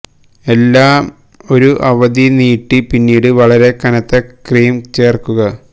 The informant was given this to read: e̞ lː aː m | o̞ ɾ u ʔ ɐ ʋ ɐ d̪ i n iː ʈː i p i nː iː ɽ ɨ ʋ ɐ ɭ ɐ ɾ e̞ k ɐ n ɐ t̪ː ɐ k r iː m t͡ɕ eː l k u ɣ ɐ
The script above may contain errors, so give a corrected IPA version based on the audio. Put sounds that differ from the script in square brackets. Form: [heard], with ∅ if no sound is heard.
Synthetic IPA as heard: e̞ lː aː m | o̞ ɾ u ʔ ɐ ʋ ɐ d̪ i n iː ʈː i p i nː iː ɽ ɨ ʋ ɐ ɭ ɐ ɾ e̞ k ɐ n ɐ t̪ː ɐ k r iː m t͡ɕ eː [r] k u ɣ ɐ